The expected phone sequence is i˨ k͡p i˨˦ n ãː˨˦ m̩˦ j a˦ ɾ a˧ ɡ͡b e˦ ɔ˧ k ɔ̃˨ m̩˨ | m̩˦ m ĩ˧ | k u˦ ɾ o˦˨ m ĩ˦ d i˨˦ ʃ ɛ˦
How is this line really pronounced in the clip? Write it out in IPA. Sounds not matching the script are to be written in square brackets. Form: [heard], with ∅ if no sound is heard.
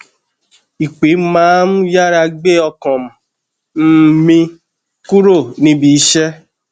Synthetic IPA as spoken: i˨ k͡p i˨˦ [m] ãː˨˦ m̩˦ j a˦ ɾ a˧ ɡ͡b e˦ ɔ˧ k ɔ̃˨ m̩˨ | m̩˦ m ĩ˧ | k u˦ ɾ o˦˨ [n] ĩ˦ [b] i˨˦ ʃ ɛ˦